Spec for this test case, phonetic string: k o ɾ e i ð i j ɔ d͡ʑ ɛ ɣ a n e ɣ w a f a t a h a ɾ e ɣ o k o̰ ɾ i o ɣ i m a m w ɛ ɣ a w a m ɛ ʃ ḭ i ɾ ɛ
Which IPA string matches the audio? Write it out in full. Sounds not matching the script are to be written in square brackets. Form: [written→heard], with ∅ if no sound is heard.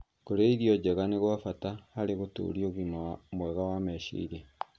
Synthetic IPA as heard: k o ɾ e i ð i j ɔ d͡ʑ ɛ ɣ a n e ɣ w a f a t a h a ɾ e ɣ o [k→t] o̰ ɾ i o ɣ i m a m w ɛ ɣ a w a m ɛ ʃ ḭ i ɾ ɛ